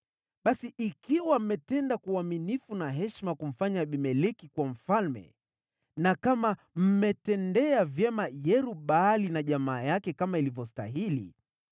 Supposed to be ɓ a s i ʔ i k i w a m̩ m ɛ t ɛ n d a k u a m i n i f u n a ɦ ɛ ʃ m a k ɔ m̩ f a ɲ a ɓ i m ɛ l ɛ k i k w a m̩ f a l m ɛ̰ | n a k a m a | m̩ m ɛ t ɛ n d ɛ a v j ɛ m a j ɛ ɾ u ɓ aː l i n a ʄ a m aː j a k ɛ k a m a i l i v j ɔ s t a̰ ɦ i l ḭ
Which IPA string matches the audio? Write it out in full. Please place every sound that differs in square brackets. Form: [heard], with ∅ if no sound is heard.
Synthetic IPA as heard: ɓ a s i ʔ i k i w a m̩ m ɛ t ɛ n d a k u a m i n i f u n a ɦ ɛ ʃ m a k [u] m̩ f a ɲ a ɓ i m ɛ l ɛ k i k w a m̩ f a l m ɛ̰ | n a k a m a | m̩ m ɛ t ɛ n d ɛ a v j ɛ m a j ɛ ɾ u ɓ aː l i n a ʄ a m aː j a k ɛ k a m a i l i v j ɔ s t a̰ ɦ i l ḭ